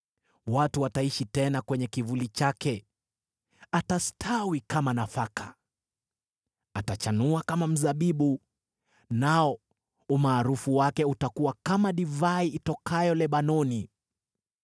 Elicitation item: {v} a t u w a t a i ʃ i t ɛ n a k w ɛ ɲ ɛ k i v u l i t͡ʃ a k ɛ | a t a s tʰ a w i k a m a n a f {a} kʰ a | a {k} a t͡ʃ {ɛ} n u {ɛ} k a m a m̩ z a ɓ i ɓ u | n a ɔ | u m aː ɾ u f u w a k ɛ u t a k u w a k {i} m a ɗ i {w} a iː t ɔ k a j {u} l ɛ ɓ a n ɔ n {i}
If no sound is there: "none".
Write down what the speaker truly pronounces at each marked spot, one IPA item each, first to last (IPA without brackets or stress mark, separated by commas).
w, a, t, a, a, a, v, ɔ, i